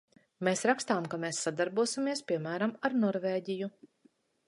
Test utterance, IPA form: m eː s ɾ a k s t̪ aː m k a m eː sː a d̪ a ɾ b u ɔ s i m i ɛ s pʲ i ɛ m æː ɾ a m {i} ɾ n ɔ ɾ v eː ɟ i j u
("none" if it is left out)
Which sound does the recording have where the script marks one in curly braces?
a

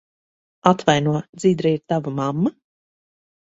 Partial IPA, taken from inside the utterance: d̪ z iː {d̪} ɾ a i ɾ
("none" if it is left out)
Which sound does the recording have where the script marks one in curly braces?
d̪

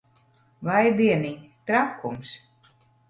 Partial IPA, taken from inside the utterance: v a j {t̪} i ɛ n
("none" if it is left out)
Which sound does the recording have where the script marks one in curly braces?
d̪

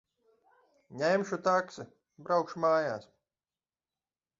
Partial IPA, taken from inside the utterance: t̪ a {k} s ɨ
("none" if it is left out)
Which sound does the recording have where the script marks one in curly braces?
k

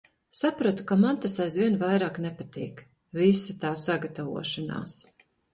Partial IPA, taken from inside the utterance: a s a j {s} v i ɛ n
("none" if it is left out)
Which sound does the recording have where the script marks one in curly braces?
z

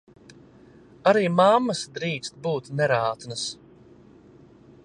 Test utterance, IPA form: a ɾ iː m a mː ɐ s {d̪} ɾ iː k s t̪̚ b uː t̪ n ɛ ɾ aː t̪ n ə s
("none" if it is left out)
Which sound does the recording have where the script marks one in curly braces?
d̪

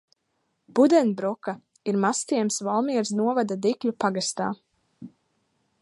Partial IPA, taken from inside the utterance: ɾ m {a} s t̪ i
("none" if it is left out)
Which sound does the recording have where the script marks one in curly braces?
a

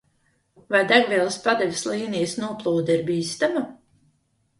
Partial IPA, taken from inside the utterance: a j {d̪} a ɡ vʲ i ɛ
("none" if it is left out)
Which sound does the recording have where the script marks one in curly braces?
d̪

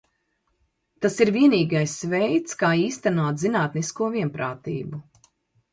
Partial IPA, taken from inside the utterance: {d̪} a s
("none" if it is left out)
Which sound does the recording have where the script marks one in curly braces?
t̪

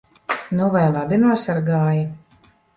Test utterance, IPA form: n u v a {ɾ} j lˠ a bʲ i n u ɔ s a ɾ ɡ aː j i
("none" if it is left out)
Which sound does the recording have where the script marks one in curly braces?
none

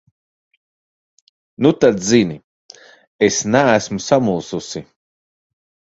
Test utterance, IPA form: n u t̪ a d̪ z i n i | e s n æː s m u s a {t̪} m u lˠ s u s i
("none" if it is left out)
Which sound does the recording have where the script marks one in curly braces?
none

